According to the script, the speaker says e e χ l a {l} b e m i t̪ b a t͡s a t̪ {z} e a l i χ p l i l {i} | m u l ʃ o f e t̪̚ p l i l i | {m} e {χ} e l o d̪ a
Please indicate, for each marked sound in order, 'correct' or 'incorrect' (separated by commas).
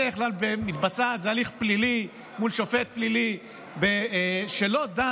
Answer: correct, correct, correct, incorrect, incorrect